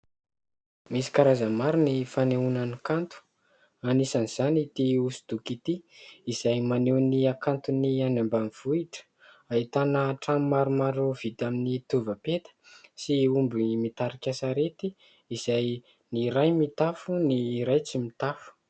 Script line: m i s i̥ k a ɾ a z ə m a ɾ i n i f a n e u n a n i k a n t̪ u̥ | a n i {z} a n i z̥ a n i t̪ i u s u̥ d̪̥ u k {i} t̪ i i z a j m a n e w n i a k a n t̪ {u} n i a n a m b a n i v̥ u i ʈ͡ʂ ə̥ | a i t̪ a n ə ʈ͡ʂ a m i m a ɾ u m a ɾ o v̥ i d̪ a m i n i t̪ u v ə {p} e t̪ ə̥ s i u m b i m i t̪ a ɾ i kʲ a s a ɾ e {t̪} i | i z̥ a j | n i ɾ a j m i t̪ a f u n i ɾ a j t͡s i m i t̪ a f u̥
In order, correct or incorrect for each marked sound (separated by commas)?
incorrect, correct, correct, correct, correct